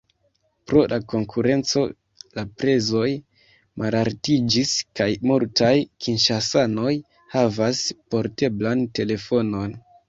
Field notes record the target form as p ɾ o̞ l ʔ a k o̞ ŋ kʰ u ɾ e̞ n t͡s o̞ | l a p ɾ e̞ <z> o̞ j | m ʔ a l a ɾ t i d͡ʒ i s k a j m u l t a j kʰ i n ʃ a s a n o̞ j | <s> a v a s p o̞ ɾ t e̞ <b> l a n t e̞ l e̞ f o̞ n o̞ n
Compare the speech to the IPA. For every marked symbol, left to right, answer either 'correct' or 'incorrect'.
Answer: correct, incorrect, correct

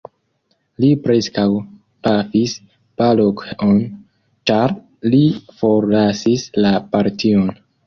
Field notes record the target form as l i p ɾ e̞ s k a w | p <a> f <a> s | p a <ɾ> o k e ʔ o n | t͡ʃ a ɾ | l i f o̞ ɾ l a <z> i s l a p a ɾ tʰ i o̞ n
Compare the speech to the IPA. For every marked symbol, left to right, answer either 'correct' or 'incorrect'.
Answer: correct, incorrect, incorrect, incorrect

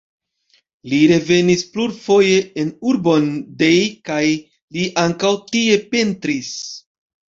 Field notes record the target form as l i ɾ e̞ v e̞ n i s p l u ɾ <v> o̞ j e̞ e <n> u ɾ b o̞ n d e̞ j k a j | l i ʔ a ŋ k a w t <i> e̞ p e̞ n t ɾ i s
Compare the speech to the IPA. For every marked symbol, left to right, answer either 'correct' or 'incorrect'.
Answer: incorrect, correct, correct

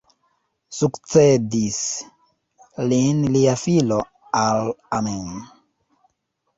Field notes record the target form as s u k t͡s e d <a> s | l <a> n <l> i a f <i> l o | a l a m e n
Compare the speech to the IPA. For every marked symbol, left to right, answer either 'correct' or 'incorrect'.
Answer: incorrect, incorrect, correct, correct

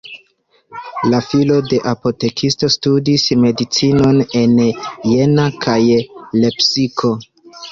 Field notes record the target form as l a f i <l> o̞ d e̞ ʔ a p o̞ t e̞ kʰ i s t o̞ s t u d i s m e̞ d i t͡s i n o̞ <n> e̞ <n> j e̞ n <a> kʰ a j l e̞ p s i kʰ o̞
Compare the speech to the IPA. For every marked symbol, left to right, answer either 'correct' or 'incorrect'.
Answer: correct, correct, correct, correct

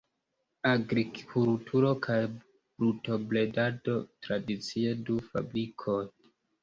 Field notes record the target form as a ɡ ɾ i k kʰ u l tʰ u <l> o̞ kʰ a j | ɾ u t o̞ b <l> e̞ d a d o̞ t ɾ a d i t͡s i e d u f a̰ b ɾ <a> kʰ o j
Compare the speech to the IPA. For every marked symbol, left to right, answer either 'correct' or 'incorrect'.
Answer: incorrect, correct, incorrect

